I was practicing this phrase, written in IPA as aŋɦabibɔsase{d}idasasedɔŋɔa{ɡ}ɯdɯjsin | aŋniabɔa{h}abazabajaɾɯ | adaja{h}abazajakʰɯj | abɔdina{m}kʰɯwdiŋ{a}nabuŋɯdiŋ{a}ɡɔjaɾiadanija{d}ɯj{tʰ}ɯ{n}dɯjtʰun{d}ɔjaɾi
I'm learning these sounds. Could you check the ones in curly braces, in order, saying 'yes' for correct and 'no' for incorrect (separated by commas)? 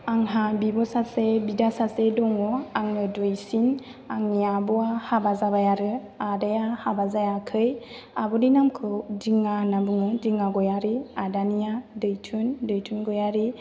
no, no, yes, yes, yes, yes, yes, yes, yes, yes, no